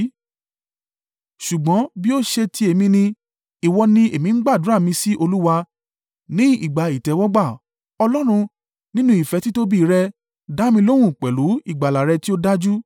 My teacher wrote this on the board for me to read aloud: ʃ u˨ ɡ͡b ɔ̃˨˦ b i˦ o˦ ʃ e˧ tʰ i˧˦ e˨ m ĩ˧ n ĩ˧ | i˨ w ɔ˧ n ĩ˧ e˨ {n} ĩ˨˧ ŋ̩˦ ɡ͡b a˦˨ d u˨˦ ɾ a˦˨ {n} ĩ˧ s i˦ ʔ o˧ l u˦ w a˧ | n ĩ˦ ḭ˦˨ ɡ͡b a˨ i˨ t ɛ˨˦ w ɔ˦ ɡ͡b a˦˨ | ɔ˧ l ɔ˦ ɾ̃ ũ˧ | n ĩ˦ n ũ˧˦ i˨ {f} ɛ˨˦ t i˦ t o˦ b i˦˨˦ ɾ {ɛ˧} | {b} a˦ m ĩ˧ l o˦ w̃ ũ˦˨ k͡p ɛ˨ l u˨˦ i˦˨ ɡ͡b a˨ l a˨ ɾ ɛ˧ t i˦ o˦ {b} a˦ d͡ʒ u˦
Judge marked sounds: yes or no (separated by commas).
no, no, yes, yes, no, no